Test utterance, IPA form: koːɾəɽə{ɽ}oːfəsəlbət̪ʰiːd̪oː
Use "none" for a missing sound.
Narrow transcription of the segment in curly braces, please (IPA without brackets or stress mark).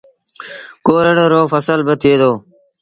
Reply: ɾ